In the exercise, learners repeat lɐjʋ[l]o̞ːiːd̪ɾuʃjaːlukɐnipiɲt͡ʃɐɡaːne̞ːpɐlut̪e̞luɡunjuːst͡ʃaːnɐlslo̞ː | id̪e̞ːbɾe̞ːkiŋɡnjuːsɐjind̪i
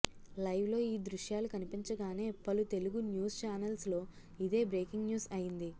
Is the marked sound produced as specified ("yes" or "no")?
yes